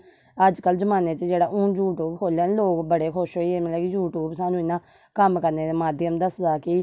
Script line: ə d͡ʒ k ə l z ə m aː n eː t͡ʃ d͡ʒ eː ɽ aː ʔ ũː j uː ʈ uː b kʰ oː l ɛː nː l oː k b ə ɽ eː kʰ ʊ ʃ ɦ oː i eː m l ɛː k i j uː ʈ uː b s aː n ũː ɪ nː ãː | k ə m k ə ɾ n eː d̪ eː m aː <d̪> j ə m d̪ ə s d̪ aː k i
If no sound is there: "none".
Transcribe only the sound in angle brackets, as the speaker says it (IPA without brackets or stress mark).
d̪